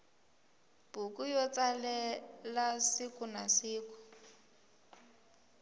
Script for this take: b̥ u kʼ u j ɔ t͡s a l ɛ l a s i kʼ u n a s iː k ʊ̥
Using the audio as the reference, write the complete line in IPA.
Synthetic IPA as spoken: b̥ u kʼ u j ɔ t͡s a l ɛ l a s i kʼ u n a s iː k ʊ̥